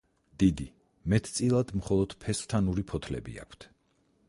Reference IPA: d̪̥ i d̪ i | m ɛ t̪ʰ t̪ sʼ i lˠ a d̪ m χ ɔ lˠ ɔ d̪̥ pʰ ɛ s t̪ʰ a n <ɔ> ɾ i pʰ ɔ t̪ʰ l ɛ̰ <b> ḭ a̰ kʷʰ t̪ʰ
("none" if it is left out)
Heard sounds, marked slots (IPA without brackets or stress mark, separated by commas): u, b